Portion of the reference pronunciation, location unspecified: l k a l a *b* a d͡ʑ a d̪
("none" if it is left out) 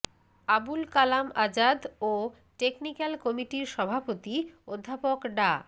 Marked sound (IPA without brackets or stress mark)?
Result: m